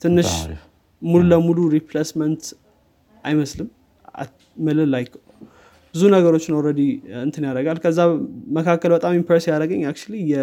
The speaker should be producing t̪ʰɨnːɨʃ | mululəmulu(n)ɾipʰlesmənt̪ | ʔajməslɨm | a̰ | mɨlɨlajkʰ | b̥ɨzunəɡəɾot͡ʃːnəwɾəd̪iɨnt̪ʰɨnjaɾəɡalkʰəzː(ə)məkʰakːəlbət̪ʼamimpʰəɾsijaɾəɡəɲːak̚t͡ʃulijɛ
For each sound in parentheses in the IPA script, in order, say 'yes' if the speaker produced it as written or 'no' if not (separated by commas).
no, no